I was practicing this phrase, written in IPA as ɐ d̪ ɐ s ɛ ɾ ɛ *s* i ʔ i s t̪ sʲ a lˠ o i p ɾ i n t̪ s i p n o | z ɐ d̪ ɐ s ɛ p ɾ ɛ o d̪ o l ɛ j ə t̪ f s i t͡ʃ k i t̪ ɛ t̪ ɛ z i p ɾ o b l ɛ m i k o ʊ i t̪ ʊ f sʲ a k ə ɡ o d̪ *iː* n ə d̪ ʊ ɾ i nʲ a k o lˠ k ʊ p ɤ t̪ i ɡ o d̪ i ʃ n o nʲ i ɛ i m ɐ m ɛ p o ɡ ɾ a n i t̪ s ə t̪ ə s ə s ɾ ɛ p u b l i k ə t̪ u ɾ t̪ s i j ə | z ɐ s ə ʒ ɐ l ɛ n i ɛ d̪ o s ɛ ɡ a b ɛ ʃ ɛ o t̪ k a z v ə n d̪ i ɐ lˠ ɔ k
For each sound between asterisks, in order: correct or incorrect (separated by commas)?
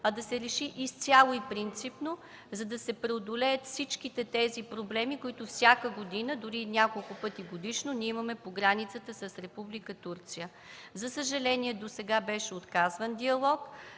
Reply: incorrect, incorrect